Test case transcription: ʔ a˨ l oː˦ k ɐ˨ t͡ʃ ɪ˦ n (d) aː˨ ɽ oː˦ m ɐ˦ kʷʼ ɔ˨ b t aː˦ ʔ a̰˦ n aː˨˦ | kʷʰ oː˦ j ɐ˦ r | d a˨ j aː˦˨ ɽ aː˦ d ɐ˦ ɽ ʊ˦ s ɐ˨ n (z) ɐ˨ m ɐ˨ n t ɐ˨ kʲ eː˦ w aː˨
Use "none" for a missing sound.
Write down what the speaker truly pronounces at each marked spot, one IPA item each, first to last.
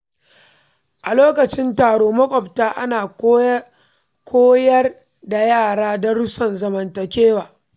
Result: t, z

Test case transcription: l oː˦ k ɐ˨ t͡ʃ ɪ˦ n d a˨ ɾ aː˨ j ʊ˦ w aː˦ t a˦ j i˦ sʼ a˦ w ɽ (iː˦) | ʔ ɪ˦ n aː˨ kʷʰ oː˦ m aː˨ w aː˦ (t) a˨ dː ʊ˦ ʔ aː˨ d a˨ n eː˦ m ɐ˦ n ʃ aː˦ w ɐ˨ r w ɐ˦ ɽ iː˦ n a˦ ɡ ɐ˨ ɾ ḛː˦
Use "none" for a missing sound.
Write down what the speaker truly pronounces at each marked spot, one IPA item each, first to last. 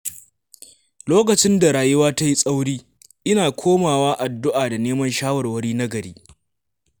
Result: iː˦, ʔ

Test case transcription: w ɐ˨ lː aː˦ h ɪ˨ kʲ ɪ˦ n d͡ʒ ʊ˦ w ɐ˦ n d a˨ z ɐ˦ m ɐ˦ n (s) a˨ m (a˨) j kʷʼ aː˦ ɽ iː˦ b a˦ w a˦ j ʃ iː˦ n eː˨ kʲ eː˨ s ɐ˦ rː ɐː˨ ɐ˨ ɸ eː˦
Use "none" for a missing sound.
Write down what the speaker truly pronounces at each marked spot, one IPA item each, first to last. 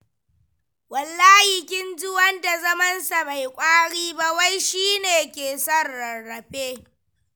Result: s, a˨

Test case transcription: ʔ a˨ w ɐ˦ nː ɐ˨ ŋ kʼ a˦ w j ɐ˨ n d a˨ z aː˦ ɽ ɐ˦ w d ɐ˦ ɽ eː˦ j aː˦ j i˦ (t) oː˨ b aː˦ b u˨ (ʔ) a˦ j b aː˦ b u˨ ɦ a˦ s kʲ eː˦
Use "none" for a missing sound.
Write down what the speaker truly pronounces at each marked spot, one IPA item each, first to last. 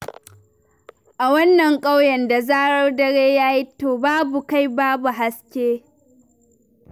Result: t, k

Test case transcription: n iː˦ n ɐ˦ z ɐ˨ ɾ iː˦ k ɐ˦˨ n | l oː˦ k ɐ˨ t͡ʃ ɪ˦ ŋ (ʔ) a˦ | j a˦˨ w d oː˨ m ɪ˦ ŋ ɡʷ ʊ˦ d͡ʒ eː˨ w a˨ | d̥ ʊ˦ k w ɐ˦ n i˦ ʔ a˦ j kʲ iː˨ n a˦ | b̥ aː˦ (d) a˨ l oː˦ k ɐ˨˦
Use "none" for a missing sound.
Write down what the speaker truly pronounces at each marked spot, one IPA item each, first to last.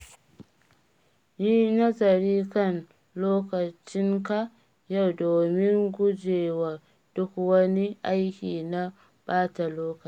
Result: k, t

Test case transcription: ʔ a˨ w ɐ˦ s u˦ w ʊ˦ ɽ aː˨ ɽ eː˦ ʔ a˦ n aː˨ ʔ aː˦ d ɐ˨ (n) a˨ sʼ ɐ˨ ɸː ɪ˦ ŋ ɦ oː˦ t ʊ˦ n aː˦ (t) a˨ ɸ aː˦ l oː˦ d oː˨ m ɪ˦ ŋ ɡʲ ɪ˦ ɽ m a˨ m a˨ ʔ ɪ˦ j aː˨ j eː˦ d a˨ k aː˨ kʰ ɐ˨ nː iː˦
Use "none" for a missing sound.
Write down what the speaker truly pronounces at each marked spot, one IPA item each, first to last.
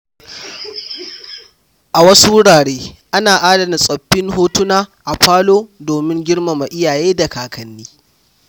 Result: n, ʔ

